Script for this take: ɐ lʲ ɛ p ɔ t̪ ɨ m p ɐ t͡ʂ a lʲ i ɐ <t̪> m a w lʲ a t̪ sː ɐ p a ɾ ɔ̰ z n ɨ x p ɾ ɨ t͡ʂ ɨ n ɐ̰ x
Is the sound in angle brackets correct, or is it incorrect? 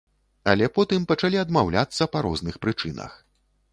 incorrect